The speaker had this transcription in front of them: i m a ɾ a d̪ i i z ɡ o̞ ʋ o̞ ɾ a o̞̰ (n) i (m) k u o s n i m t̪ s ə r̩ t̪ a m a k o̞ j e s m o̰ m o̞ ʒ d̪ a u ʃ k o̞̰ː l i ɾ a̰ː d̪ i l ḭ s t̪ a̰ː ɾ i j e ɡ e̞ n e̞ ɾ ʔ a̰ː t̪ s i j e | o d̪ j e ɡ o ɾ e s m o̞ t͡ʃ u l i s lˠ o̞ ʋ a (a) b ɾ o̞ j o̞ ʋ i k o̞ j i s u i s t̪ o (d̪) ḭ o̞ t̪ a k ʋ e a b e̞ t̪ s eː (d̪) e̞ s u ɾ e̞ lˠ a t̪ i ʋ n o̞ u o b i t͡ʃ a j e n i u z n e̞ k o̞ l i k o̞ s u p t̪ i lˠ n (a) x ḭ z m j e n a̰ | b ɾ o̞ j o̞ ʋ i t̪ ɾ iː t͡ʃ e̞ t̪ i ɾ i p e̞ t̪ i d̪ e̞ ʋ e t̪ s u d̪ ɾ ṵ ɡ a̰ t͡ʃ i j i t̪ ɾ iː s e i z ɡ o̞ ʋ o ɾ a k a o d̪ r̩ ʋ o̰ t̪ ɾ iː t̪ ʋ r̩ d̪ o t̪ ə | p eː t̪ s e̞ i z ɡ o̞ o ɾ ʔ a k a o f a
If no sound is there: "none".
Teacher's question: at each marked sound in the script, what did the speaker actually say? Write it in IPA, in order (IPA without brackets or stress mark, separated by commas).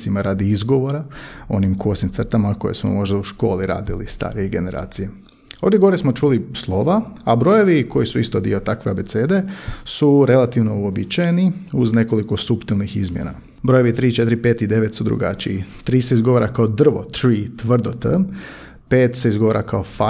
n, m, a, d̪, d̪, i